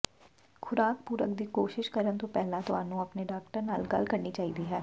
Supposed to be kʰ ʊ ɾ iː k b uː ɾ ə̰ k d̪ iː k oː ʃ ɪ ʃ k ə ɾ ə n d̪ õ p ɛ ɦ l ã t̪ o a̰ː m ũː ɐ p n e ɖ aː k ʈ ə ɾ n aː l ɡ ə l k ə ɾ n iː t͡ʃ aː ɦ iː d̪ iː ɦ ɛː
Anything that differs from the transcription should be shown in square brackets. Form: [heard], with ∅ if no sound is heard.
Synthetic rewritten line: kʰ ʊ ɾ [aː] k [p] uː ɾ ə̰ k d̪ iː k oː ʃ ɪ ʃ k ə ɾ ə n [t̪] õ p ɛ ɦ l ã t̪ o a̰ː [n] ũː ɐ p n e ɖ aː k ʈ ə ɾ n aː l ɡ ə l k ə ɾ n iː t͡ʃ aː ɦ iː d̪ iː ɦ ɛː